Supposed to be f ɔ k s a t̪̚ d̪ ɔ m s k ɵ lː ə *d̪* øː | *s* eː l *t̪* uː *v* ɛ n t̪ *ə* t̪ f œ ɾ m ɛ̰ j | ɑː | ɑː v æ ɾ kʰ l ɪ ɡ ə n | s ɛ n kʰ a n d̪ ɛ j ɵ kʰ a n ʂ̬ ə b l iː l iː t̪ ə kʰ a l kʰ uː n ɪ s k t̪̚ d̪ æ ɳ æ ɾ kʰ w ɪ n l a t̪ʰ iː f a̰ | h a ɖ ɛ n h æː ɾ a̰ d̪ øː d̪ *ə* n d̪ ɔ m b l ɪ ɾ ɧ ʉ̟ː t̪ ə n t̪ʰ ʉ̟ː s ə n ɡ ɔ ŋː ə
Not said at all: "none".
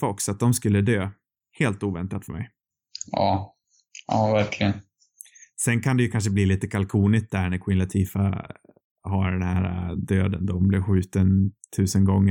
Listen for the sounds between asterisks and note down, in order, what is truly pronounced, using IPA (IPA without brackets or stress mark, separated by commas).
d̪, h, t̪, v, a, ə